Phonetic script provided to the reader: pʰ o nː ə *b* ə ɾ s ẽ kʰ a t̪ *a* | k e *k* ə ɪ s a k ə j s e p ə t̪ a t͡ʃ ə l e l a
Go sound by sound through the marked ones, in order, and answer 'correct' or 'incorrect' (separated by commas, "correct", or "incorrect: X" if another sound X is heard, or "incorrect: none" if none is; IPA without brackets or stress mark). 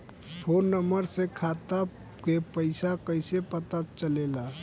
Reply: incorrect: m, correct, incorrect: p